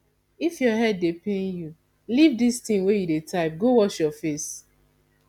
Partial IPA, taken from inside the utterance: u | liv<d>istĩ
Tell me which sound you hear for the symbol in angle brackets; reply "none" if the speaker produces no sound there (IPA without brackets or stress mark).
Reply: d